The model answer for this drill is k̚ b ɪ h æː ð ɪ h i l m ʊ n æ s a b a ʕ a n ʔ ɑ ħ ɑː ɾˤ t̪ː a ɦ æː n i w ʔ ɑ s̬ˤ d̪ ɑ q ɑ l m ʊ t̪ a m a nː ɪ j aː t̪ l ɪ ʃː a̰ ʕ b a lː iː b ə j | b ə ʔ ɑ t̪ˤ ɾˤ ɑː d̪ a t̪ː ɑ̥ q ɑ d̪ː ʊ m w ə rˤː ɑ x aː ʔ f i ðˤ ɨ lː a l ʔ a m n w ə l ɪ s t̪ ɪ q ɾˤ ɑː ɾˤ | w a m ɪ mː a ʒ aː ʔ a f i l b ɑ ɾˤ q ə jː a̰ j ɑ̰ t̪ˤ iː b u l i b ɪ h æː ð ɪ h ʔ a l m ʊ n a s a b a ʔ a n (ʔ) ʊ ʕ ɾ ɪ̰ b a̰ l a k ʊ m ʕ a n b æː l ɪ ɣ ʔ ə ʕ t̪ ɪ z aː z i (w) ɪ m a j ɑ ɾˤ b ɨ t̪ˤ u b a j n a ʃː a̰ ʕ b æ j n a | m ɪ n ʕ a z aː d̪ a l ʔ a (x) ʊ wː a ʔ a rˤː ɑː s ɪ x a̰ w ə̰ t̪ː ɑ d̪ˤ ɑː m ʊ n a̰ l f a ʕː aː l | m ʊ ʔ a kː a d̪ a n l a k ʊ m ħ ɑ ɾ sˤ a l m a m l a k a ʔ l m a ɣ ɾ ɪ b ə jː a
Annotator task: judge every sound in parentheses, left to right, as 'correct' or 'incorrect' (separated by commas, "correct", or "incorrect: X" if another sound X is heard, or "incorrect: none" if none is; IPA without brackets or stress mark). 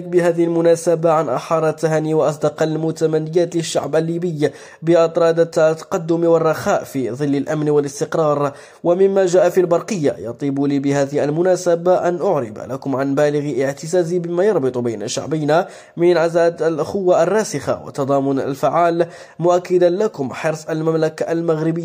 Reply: correct, incorrect: b, correct